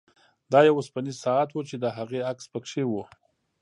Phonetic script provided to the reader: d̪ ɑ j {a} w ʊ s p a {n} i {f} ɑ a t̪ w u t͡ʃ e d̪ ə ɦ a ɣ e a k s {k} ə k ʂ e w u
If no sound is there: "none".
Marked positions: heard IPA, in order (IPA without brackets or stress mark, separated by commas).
a, n, s, p